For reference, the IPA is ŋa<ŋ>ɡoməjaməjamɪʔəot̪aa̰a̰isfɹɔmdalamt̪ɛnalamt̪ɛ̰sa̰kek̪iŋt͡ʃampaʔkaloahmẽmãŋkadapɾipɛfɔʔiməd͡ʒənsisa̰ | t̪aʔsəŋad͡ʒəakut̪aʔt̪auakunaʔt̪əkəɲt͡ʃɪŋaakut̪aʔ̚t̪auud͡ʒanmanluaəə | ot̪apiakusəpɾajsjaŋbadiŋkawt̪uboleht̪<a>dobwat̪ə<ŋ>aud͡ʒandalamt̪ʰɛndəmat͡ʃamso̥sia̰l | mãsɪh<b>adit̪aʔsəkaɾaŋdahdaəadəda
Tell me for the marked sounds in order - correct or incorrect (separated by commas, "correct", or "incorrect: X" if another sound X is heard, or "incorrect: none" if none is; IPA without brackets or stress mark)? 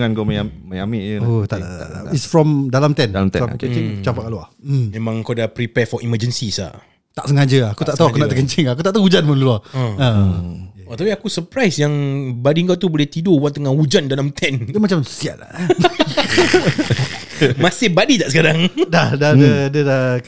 incorrect: n, incorrect: i, correct, correct